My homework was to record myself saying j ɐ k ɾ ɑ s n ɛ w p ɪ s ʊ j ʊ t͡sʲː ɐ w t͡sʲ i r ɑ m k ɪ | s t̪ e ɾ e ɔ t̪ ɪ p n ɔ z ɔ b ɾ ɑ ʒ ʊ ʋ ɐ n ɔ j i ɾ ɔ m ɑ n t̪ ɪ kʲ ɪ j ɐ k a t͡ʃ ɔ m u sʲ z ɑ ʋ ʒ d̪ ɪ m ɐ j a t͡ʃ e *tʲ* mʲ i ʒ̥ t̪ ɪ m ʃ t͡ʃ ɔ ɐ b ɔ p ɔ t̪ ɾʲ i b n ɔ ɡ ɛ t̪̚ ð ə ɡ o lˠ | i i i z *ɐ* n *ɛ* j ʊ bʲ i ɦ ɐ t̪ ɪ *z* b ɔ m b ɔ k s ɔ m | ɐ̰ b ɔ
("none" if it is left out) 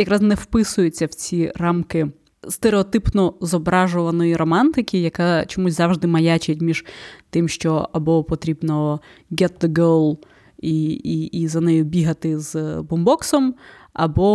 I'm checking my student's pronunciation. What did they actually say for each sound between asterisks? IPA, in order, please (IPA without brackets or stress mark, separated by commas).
tʲ, ɐ, ɛ, z